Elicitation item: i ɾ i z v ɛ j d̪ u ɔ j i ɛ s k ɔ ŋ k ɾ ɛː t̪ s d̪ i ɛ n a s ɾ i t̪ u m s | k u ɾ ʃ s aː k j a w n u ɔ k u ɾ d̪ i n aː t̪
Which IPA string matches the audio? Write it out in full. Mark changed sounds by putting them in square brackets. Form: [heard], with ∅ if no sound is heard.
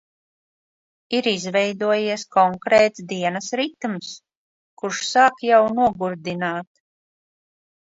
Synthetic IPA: i ɾ i z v ɛ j d̪ u ɔ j i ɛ s k ɔ ŋ k ɾ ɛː t̪ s d̪ i ɛ n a s ɾ i t̪ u m s | k u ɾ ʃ s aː k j a w n u ɔ [ɡ] u ɾ d̪ i n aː t̪